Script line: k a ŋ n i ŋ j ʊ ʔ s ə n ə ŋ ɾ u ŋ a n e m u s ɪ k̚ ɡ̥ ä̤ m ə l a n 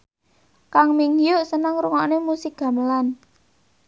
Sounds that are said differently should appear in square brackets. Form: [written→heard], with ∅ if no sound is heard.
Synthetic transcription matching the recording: k a ŋ [n→m] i ŋ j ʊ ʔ s ə n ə ŋ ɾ u ŋ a n e m u s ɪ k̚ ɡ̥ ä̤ m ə l a n

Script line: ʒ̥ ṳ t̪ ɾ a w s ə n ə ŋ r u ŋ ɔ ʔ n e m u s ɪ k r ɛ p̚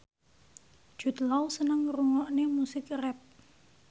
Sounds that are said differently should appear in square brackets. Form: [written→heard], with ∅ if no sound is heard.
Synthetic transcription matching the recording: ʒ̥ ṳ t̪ [ɾ→l] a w s ə n ə ŋ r u ŋ ɔ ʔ n e m u s ɪ k r ɛ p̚

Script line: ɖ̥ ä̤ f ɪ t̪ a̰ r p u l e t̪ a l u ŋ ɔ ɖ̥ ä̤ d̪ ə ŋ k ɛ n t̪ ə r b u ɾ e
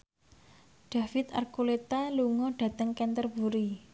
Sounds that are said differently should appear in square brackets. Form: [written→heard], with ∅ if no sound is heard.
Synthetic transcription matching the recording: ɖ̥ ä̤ f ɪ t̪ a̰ r [p→k] u l e t̪ a l u ŋ ɔ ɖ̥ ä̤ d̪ ə ŋ k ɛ n t̪ ə r b u ɾ [e→i]

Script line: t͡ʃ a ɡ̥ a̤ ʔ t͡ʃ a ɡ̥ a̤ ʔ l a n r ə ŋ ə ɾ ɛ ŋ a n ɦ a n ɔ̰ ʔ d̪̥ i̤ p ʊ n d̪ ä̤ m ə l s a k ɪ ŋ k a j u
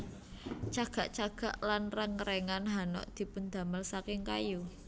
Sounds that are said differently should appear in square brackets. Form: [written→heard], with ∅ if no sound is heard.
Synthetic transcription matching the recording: t͡ʃ a ɡ̥ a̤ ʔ t͡ʃ a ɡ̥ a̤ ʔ l a n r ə ŋ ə ɾ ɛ ŋ a n ɦ a n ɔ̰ ʔ d̪̥ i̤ p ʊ n d̪ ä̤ m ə l s a k ɪ ŋ k a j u

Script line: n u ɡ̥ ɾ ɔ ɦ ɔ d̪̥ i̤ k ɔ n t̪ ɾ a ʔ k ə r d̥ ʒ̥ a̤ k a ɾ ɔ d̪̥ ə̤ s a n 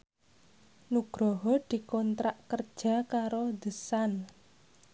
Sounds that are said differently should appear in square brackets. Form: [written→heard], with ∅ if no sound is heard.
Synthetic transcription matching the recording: n u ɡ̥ ɾ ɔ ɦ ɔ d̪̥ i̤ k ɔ n t̪ ɾ a ʔ k ə r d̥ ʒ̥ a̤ k a ɾ [ɔ→o] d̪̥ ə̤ s a n

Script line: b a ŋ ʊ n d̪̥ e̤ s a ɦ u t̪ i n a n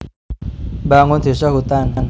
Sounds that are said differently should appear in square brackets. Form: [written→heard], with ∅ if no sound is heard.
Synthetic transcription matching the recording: b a ŋ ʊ n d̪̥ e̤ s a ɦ u t̪ [i→a] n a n

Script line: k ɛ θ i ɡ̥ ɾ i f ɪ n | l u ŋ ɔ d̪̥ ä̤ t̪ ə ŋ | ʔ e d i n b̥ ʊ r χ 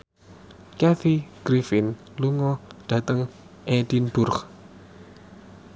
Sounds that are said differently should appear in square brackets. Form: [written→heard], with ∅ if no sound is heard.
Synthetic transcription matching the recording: k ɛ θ i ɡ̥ ɾ i f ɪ n | l u ŋ ɔ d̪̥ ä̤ t̪ ə ŋ | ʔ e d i n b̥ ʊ r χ

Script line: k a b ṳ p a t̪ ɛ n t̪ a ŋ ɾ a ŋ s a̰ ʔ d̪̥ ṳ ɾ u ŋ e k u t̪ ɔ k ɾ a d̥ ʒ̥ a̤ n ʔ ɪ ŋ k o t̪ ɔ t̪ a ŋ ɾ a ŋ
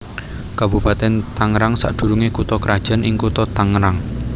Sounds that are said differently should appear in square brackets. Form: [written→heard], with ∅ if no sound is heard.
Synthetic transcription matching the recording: k a b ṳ p a t̪ ɛ n t̪ a ŋ ɾ a ŋ s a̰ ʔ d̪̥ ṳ ɾ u ŋ e k u t̪ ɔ k ɾ a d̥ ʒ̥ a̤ n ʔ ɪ ŋ k [o→u] t̪ ɔ t̪ a ŋ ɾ a ŋ

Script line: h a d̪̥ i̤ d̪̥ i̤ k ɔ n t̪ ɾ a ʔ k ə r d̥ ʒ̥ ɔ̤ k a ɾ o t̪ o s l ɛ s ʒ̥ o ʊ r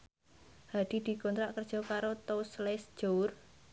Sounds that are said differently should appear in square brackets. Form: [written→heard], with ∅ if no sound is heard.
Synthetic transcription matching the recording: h a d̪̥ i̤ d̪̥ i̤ k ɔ n t̪ ɾ a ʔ k ə r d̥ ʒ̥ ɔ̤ k a ɾ o t̪ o s l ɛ s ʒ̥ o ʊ r

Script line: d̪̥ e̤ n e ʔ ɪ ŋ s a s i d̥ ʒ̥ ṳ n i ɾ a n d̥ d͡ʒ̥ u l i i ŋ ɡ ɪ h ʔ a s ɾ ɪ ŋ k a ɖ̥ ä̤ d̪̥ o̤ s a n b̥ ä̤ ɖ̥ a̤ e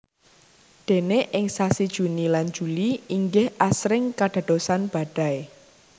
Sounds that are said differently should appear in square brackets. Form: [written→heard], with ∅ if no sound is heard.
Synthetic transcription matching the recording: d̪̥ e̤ n e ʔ ɪ ŋ s a s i d̥ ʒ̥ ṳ n i [ɾ→l] a n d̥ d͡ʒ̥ u l i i ŋ ɡ ɪ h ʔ a s ɾ ɪ ŋ k a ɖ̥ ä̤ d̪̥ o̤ s a n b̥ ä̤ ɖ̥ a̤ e

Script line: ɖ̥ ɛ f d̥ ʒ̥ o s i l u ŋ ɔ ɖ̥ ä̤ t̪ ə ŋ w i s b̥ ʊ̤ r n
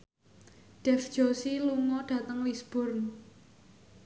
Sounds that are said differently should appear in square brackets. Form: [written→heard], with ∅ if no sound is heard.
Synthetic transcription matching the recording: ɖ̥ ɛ f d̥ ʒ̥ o s i l u ŋ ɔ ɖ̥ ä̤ t̪ ə ŋ w i s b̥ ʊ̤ r n

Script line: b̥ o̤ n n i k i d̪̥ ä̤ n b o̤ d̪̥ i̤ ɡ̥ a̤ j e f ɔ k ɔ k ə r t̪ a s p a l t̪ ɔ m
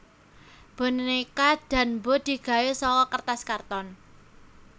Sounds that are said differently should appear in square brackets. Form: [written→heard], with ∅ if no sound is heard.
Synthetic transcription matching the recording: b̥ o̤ n n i k [i→a] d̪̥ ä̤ n b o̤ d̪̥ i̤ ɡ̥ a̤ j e [f→s] ɔ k ɔ k ə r t̪ a s [p→k] a [l→r] t̪ ɔ [m→n]

